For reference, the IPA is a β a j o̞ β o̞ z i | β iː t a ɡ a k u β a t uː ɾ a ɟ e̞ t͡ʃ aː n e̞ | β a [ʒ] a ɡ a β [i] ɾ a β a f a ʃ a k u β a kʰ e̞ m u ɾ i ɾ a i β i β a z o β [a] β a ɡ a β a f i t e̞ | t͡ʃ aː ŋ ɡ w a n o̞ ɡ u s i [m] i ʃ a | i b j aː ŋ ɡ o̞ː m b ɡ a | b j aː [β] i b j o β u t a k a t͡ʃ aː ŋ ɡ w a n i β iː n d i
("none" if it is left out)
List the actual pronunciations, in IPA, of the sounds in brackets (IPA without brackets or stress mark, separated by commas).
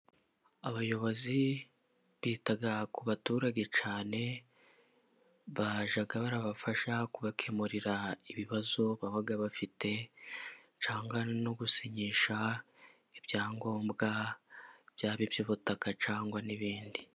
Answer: ʒ, a, a, ɲ, β